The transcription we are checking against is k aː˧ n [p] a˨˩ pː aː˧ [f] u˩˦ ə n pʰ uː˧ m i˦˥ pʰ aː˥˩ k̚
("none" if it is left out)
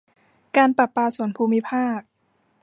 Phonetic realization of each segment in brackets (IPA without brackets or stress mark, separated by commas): p, s